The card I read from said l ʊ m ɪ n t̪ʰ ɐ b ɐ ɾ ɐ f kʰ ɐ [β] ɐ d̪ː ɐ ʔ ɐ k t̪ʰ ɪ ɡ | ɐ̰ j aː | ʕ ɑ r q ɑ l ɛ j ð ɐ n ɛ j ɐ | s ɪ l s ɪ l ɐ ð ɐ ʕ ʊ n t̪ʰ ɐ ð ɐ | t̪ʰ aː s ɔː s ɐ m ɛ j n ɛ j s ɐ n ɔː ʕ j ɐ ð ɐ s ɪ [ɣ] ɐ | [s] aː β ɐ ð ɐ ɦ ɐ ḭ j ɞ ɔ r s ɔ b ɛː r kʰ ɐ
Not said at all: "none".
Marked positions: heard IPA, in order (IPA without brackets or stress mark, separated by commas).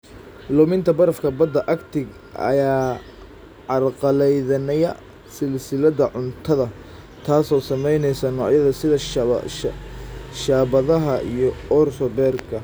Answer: b, ð, ʃ